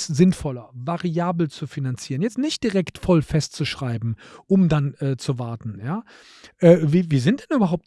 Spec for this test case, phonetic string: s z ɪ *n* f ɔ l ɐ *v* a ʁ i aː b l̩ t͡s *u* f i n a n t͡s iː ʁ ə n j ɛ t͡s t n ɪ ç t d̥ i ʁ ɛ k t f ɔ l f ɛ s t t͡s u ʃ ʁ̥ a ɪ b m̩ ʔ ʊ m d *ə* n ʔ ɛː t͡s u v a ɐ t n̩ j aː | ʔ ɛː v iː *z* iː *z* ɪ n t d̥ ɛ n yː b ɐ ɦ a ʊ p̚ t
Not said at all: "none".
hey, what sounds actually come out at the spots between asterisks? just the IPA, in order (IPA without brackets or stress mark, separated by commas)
n, v, u, a, v, z